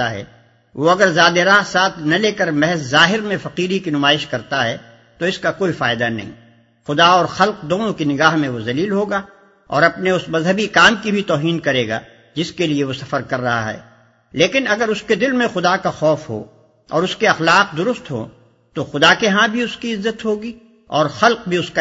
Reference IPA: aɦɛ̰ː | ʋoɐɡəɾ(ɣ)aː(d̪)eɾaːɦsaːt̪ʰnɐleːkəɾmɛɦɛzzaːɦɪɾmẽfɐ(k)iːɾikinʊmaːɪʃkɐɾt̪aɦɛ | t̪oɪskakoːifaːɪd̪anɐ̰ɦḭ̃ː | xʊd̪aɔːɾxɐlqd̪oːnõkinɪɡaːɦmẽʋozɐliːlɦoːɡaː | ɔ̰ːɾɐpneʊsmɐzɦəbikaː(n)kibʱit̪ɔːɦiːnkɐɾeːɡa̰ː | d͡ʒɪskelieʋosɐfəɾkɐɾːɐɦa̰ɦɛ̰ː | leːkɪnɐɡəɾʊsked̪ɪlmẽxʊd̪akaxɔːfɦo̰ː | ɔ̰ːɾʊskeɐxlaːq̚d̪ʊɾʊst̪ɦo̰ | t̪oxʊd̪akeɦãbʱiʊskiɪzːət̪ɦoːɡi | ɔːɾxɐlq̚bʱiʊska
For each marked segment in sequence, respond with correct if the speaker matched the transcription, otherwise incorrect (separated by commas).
incorrect, correct, incorrect, incorrect